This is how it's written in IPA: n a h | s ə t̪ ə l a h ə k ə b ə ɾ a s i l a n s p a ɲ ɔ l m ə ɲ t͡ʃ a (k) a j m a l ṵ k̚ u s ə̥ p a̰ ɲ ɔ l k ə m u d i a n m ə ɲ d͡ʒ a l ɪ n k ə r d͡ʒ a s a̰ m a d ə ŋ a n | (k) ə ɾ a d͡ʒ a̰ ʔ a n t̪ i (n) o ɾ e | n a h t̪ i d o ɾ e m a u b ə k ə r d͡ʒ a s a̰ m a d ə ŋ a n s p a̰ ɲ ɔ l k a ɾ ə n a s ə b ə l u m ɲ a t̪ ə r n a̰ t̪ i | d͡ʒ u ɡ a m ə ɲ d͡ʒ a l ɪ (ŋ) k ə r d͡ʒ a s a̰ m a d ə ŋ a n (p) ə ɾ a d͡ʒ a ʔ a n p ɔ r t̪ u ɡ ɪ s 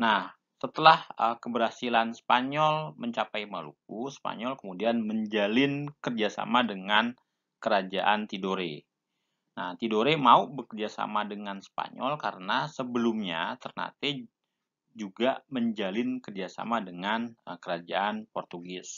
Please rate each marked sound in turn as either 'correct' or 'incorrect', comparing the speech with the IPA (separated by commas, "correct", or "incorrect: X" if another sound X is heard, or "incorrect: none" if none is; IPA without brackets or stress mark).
incorrect: p, correct, incorrect: d, incorrect: n, incorrect: k